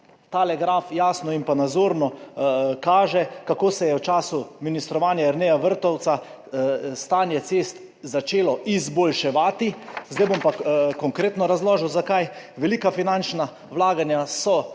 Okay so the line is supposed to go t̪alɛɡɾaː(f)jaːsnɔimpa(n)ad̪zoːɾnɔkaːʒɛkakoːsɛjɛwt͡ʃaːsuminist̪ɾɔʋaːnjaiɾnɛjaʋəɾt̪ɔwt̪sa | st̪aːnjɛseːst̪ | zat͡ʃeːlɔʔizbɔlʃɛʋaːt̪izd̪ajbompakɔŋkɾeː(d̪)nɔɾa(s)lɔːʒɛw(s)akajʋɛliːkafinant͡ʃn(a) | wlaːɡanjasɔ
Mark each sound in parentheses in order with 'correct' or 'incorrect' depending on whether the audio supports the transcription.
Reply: correct, correct, incorrect, incorrect, incorrect, correct

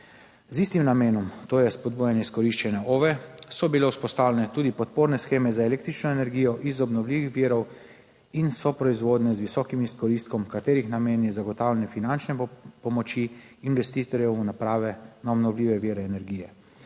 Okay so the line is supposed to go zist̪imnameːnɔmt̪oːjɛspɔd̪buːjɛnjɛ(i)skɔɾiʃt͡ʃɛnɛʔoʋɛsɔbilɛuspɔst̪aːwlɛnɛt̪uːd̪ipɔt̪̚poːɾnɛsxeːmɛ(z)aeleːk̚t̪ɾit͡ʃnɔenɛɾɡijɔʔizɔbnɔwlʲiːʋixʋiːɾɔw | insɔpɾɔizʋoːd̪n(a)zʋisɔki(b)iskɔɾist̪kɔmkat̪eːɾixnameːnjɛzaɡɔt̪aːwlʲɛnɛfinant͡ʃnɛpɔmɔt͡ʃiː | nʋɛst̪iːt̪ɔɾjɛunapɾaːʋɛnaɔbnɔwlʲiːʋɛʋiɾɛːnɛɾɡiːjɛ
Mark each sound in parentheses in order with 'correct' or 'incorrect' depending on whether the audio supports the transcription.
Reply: correct, correct, incorrect, incorrect

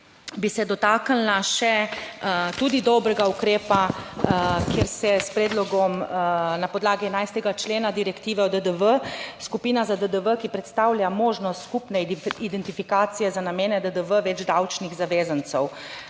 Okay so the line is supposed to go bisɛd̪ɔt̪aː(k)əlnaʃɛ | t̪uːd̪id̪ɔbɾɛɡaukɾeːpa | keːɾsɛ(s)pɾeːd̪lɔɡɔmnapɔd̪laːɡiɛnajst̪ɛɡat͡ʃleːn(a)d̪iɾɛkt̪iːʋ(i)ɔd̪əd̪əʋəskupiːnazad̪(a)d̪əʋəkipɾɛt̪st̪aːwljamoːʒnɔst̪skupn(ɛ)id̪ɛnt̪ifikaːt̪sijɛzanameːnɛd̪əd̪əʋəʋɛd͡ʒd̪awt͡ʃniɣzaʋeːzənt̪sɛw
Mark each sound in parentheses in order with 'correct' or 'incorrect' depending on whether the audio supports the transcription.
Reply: correct, correct, correct, incorrect, incorrect, correct

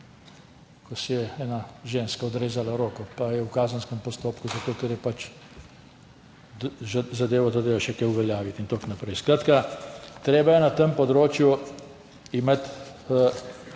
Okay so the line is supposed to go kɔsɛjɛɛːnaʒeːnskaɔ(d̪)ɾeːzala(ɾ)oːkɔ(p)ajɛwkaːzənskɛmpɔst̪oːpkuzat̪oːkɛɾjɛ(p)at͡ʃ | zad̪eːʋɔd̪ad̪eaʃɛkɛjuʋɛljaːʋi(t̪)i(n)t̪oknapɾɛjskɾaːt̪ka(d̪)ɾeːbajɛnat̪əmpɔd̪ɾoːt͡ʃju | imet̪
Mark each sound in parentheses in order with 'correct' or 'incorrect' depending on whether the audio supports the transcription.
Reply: correct, correct, correct, correct, correct, correct, incorrect

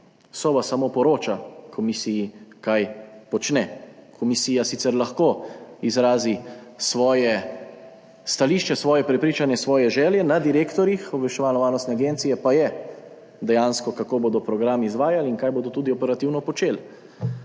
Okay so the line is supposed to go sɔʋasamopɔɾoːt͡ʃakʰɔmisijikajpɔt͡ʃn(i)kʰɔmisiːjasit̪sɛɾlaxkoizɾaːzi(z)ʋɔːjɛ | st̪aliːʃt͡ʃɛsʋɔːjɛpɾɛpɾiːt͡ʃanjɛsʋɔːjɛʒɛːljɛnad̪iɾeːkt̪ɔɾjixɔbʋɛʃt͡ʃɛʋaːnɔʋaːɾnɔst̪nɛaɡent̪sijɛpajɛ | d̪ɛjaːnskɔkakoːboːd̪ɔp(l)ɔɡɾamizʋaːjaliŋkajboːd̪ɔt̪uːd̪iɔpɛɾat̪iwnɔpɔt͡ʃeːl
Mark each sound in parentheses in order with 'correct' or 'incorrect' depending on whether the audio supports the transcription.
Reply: incorrect, incorrect, incorrect

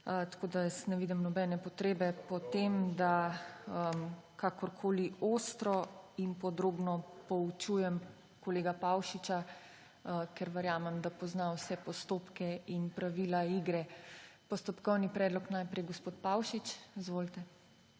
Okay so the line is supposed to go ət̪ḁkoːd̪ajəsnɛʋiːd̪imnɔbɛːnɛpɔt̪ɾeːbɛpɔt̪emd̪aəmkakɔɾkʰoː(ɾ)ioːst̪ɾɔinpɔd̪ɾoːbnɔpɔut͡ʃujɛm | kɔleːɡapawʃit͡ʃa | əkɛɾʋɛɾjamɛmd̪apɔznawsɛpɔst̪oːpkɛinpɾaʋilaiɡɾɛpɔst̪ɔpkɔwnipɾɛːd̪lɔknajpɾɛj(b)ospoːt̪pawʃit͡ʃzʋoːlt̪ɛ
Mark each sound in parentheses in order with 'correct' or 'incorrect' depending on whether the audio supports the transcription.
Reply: incorrect, incorrect

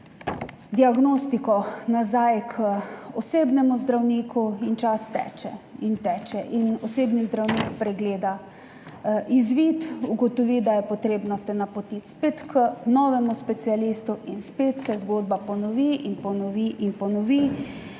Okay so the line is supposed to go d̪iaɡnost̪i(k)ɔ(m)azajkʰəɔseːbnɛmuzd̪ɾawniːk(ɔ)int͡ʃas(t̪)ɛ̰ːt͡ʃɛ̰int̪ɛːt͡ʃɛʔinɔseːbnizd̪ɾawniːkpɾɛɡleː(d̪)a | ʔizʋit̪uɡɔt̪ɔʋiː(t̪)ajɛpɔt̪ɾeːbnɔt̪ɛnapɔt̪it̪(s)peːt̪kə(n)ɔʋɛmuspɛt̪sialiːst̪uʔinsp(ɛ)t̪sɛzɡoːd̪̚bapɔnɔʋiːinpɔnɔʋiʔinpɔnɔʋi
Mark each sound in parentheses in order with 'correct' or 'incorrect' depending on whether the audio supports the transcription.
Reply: correct, incorrect, incorrect, correct, correct, incorrect, correct, correct, incorrect

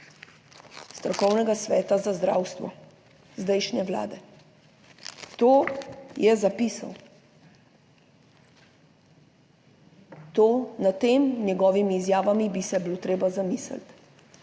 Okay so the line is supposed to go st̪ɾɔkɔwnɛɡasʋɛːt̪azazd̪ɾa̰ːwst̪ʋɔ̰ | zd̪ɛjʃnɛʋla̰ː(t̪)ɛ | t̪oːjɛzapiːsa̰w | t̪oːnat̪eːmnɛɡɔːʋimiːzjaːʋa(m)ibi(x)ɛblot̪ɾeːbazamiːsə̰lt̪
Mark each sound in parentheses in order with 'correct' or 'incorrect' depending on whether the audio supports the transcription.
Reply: incorrect, correct, incorrect

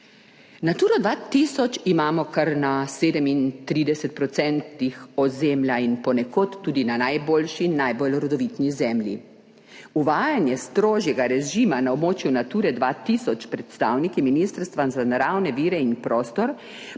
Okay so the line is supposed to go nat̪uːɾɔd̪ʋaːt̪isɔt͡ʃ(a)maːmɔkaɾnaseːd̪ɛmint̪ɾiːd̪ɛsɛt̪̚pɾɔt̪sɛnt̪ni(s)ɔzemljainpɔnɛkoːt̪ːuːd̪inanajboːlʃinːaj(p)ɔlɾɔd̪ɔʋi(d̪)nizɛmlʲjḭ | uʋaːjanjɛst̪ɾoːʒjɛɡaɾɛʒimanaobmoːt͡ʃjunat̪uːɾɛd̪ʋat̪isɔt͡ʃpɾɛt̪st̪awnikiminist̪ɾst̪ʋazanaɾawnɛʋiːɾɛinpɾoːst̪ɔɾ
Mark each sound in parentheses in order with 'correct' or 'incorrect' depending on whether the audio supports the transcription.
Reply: incorrect, incorrect, incorrect, incorrect

